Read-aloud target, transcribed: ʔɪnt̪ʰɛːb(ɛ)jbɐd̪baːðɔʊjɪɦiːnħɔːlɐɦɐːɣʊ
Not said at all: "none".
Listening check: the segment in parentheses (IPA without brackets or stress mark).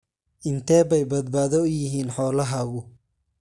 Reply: ɛ